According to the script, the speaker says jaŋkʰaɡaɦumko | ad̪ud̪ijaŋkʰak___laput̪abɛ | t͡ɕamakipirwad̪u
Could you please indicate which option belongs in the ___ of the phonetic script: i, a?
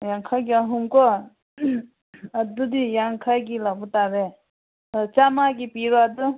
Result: i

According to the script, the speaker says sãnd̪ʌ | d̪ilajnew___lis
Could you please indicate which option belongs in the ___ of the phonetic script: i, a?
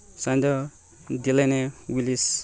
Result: i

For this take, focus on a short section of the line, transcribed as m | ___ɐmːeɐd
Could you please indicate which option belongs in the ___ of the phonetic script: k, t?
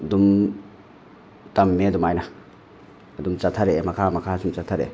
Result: t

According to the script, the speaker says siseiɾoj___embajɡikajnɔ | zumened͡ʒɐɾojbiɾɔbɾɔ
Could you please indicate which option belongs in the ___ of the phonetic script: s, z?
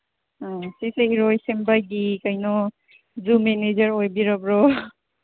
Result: s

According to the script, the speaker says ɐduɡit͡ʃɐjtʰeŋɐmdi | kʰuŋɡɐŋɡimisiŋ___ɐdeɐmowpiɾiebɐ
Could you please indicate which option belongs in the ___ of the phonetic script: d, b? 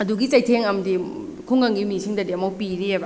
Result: d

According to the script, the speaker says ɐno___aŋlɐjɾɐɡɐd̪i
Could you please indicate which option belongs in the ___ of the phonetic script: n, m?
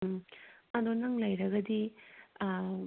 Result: n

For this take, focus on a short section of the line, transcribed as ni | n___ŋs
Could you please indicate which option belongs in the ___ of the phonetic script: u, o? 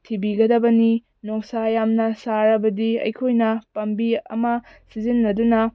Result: o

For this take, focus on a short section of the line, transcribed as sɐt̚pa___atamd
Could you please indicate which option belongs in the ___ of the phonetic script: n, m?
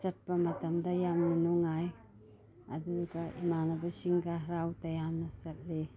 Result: m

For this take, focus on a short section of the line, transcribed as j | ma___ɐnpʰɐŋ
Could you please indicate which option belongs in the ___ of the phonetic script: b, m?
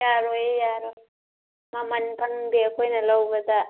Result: m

